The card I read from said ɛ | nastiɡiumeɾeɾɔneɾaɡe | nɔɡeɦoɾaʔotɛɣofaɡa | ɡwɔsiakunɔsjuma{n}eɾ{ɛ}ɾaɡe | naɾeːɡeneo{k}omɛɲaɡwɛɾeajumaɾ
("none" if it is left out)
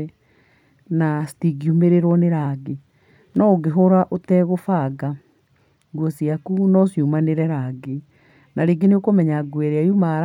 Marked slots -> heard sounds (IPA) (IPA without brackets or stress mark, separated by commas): n, ɛ, k